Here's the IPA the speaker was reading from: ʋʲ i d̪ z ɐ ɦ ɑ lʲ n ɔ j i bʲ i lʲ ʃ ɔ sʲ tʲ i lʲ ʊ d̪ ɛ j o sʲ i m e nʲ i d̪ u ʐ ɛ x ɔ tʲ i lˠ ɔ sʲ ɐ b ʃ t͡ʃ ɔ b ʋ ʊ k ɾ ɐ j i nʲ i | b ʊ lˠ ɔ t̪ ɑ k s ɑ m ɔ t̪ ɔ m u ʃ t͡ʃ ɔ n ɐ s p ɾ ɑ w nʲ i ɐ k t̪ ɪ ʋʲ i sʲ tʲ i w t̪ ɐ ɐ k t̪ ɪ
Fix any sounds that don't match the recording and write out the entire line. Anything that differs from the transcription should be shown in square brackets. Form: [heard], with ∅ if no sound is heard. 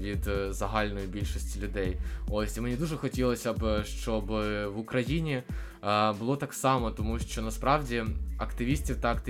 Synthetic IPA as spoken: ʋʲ i d̪ z ɐ ɦ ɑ lʲ n ɔ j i bʲ i lʲ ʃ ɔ sʲ tʲ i lʲ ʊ d̪ ɛ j o sʲ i m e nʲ i d̪ u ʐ ɛ x ɔ tʲ i lˠ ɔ sʲ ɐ b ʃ t͡ʃ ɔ b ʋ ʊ k ɾ ɐ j i nʲ i | b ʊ lˠ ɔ t̪ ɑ k s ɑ m ɔ t̪ ɔ m u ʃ t͡ʃ ɔ n ɐ s p ɾ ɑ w [dʲ] i ɐ k t̪ ɪ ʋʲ i sʲ tʲ i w t̪ ɐ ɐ k t̪ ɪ